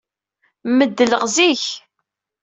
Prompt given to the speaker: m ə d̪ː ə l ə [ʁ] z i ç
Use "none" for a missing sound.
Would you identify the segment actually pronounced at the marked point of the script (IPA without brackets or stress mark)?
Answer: ʁ